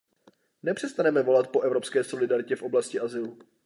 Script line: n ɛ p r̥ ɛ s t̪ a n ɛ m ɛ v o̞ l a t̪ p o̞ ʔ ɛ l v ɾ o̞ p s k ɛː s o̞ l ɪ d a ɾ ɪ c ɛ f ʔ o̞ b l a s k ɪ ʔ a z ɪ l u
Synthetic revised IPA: n ɛ p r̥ ɛ s t̪ a n ɛ m ɛ v o̞ l a t̪ p o̞ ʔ ɛ v ɾ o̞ p s k ɛː s o̞ l ɪ d a ɾ ɪ c ɛ f ʔ o̞ b l a s c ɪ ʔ a z ɪ l u